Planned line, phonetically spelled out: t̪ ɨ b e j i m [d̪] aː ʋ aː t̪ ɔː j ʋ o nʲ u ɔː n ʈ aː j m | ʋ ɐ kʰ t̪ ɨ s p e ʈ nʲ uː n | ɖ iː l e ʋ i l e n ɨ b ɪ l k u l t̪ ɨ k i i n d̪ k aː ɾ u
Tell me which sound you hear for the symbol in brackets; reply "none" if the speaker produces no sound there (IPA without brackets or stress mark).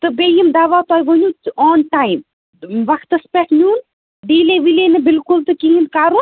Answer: d̪